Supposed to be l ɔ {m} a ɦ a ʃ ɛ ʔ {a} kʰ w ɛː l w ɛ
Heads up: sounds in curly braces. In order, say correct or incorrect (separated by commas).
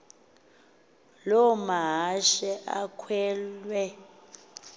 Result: correct, correct